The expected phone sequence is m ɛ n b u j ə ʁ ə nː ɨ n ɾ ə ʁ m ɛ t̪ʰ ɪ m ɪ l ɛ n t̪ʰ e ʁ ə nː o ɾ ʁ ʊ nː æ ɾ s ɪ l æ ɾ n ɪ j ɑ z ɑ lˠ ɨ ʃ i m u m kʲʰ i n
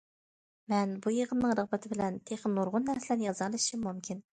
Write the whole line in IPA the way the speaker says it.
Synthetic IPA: m ɛ n b u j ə ʁ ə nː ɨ ŋ ɾ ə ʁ b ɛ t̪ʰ ɪ b ɪ l ɛ n t̪ʰ e χ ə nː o ɾ ʁ ʊ nː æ ɾ s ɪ l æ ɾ n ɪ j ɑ z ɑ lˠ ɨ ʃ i m u m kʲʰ i n